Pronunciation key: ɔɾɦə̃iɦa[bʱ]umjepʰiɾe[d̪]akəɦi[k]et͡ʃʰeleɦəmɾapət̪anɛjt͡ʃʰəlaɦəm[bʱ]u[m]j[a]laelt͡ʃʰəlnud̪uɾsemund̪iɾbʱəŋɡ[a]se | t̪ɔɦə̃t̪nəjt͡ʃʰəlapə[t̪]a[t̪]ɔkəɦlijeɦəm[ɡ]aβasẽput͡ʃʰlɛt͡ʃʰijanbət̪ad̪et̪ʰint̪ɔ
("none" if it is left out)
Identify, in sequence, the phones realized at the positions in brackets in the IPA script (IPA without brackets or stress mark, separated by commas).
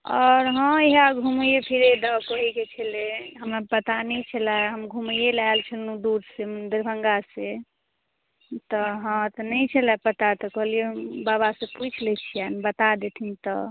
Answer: ɡʱ, d̪, k, ɡʱ, m, e, a, t̪, t̪, b